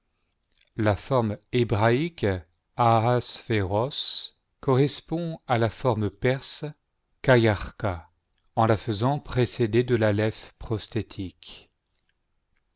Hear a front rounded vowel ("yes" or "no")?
no